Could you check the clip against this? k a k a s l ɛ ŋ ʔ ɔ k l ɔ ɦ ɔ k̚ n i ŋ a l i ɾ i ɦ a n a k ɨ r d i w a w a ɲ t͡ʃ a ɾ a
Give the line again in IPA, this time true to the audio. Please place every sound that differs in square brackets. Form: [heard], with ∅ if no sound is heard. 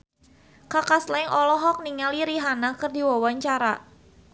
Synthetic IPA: k a k a s l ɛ ŋ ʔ ɔ [∅] l ɔ ɦ ɔ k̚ n i ŋ a l i ɾ i ɦ a n a k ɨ r d i w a w a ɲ t͡ʃ a ɾ a